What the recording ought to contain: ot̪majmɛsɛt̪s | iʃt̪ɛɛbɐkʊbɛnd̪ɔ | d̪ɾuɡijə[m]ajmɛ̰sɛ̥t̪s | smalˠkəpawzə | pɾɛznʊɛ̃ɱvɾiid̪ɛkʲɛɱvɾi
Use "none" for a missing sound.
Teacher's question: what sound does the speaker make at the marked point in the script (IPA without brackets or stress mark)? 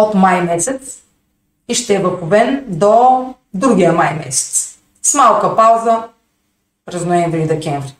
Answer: m